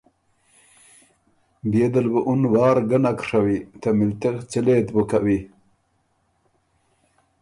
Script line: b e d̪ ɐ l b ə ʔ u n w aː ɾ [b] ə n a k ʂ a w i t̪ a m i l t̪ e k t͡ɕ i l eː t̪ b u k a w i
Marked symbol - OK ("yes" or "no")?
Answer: no